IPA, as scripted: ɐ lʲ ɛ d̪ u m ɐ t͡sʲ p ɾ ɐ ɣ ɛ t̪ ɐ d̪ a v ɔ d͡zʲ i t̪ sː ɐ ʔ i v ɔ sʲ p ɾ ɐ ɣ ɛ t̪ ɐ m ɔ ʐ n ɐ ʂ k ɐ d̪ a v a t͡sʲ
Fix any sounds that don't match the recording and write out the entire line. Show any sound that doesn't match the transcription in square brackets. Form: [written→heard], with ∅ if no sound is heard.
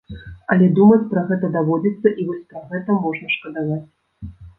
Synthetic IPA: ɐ lʲ ɛ d̪ u m ɐ t͡sʲ p ɾ ɐ ɣ ɛ t̪ ɐ d̪ a v ɔ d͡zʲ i t̪ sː ɐ ʔ i v ɔ sʲ p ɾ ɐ ɣ ɛ t̪ ɐ m ɔ ʐ n ɐ ʂ k ɐ d̪ a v a t͡sʲ